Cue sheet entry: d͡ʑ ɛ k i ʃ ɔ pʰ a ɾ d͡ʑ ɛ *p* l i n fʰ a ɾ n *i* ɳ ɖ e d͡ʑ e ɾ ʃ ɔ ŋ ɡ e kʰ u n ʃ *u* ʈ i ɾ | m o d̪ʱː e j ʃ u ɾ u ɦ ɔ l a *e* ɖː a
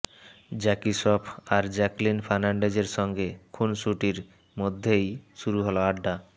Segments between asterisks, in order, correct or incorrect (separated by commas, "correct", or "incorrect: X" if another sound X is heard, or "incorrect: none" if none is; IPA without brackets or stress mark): incorrect: k, incorrect: a, correct, incorrect: a